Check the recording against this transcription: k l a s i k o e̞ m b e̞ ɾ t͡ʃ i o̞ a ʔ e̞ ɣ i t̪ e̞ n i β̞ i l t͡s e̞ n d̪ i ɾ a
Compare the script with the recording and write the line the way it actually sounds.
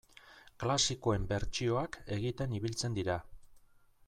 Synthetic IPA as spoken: k l a s i k o e̞ m b e̞ ɾ t͡ʃ i o̞ a k e̞ ɣ i t̪ e̞ n i β̞ i l t͡s e̞ n d̪ i ɾ a